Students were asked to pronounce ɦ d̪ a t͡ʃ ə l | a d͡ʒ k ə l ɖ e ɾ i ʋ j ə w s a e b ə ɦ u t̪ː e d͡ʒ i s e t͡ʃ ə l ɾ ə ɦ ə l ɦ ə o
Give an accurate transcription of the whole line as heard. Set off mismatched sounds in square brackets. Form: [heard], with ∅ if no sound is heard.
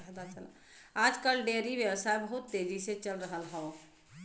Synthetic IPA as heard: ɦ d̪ a t͡ʃ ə l | a d͡ʒ k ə l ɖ e ɾ i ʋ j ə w s a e b ə ɦ u t̪ː e d͡ʒ i s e t͡ʃ ə l ɾ ə ɦ ə l ɦ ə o